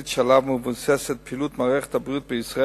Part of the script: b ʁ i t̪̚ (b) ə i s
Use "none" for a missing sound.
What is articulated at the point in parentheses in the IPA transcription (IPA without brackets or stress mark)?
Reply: b